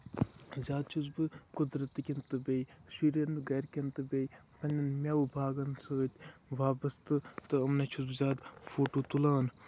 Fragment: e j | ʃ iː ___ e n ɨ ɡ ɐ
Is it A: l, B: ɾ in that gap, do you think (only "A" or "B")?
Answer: B